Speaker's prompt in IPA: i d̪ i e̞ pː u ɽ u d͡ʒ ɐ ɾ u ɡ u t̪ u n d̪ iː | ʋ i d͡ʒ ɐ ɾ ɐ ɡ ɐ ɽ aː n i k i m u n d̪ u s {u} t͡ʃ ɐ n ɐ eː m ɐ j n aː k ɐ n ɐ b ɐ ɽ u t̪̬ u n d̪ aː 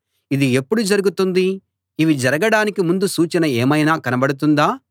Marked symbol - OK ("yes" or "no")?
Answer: no